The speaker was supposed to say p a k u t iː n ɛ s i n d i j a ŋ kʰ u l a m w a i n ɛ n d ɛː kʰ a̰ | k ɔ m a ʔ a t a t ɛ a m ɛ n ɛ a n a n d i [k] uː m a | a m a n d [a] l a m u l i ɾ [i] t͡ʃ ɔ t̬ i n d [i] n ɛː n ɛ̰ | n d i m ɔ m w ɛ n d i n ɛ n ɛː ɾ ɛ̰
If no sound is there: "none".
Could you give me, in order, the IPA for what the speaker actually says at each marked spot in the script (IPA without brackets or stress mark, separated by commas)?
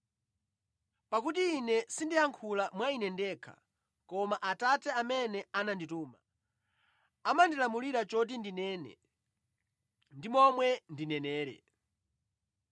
t, i, a, i